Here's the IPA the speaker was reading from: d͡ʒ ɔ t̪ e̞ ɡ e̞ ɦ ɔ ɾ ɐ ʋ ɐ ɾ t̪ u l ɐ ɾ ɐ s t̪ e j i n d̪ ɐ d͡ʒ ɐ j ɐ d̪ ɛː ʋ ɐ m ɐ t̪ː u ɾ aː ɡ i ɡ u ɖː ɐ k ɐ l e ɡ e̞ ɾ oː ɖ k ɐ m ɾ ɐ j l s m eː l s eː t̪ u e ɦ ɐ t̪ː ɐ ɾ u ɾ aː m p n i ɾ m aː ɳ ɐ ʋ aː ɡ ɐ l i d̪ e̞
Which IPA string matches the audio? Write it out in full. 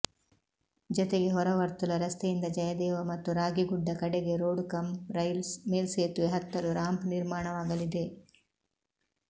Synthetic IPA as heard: d͡ʒ ɔ t̪ e̞ ɡ e̞ ɦ ɔ ɾ ɐ ʋ ɐ ɾ t̪ u l ɐ ɾ ɐ s t̪ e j i n d̪ ɐ d͡ʒ ɐ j ɐ d̪ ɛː ʋ ɐ m ɐ t̪ː u ɾ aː ɡ i ɡ u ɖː ɐ k ɐ ɽ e ɡ e̞ ɾ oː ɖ k ɐ m ɾ ɐ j l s m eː l s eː t̪ u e ɦ ɐ t̪ː ɐ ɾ u ɾ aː m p n i ɾ m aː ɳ ɐ ʋ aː ɡ ɐ l i d̪ e̞